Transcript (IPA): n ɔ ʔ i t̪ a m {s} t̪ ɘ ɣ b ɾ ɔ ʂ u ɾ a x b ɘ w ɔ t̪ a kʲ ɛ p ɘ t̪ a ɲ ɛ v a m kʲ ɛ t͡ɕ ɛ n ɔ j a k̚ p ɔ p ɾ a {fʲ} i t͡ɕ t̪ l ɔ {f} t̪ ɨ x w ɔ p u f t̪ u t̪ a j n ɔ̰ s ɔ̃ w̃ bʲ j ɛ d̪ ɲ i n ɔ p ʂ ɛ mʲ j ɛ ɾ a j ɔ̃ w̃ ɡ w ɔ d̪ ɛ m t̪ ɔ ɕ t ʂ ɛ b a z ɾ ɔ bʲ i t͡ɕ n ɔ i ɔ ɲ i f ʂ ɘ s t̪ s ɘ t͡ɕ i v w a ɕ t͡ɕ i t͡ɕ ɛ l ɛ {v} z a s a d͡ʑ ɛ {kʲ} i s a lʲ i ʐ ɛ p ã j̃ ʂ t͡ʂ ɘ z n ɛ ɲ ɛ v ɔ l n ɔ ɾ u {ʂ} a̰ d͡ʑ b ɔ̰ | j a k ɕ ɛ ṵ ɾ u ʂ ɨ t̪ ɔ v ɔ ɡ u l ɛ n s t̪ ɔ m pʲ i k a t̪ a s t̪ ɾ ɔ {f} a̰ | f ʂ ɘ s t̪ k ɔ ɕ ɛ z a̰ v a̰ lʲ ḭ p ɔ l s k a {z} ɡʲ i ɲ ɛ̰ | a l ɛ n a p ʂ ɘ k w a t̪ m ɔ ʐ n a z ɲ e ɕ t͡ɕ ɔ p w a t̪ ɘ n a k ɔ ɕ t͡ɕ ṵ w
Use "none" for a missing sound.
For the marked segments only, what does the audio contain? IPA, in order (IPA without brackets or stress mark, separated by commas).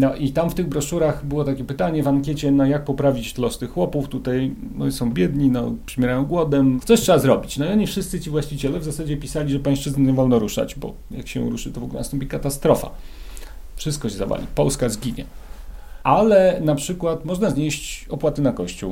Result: f, vʲ, s, v, pʲ, ʂ, f, z